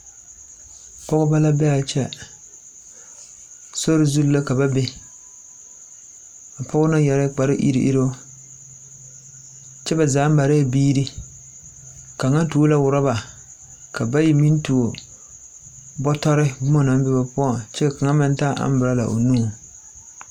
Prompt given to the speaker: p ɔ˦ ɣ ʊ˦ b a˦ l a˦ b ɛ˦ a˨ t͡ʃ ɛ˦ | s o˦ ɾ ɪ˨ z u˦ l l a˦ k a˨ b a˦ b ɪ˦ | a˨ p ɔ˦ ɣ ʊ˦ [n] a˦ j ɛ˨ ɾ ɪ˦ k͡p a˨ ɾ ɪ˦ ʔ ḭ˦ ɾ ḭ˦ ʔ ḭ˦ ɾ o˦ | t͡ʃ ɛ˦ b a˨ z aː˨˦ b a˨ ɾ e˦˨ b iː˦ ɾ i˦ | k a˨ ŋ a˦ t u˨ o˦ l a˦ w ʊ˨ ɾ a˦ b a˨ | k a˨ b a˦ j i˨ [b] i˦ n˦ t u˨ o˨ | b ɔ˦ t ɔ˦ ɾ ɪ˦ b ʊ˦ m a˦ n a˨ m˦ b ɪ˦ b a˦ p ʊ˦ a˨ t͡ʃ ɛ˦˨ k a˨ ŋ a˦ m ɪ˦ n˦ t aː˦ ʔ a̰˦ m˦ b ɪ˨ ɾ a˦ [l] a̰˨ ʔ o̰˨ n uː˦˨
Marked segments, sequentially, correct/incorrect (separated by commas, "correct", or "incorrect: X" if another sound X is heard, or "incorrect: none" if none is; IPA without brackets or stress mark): correct, incorrect: m, correct